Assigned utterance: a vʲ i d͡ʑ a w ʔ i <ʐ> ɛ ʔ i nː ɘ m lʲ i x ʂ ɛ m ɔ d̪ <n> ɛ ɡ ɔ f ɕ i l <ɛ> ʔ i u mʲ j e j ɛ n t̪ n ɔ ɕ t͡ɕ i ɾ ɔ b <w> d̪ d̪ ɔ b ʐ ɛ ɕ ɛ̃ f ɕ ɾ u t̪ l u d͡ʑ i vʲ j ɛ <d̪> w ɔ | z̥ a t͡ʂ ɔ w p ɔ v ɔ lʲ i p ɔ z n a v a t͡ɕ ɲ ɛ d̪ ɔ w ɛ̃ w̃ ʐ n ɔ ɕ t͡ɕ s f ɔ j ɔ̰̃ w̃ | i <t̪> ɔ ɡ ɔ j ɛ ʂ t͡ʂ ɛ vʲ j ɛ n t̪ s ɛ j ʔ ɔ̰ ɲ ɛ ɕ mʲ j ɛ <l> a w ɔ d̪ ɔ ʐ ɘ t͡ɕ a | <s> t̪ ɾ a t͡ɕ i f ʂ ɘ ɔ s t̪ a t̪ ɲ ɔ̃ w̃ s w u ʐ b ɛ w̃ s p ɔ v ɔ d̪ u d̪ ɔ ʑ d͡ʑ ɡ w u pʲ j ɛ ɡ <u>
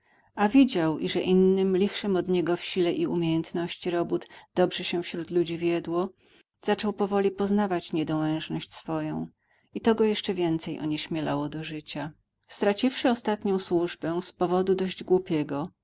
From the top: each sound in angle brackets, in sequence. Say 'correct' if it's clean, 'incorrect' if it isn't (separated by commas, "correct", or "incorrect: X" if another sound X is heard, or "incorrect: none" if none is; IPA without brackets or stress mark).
correct, incorrect: ɲ, correct, incorrect: u, correct, correct, correct, correct, incorrect: ɔ